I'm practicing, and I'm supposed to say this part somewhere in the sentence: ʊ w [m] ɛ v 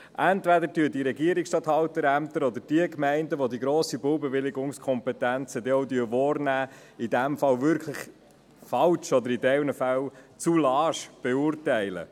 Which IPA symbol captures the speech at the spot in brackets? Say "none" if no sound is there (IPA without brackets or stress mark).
b